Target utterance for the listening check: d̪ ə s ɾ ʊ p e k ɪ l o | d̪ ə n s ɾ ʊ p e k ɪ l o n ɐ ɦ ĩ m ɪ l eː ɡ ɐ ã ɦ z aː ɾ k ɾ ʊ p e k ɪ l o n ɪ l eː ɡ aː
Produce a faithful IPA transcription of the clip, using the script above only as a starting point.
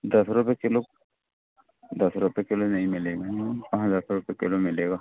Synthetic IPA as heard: d̪ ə s ɾ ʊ p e k ɪ l o | d̪ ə s ɾ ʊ p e k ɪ l o n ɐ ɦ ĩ m ɪ l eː ɡ a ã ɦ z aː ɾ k ɾ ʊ p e k ɪ l o m ɪ l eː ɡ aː